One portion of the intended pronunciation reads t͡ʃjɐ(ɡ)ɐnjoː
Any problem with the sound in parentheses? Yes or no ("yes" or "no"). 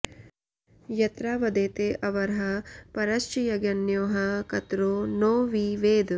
no